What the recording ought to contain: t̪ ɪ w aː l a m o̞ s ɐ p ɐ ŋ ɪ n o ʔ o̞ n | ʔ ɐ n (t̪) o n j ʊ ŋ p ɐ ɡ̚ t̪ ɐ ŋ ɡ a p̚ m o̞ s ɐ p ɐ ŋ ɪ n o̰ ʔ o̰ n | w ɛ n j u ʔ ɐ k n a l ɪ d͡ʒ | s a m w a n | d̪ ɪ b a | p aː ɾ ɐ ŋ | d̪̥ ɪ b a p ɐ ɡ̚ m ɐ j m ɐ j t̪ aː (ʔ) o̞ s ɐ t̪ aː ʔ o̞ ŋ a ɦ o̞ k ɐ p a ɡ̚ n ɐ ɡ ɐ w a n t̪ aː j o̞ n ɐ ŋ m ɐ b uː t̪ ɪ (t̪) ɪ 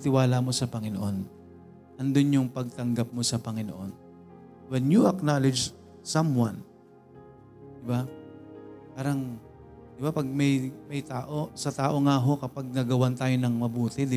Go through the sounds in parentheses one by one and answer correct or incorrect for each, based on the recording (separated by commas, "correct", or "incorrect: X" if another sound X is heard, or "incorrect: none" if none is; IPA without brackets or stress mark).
incorrect: d̪, correct, incorrect: d̪